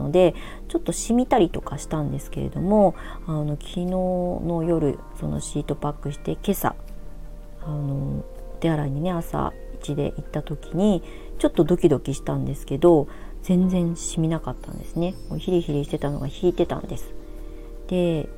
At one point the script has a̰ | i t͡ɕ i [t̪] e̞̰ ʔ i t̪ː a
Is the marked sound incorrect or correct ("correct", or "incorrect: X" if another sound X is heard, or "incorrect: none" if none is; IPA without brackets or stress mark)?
incorrect: d̪